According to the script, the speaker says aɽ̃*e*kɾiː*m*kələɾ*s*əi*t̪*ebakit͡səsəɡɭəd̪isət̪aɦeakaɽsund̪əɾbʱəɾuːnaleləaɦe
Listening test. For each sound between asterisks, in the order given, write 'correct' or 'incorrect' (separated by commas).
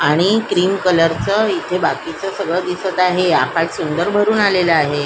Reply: incorrect, correct, incorrect, incorrect